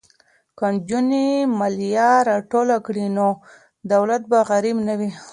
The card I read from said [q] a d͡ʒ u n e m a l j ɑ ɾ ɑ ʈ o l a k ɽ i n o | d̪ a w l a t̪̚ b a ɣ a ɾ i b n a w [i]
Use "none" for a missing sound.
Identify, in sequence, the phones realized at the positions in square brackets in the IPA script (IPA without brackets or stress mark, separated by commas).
k, i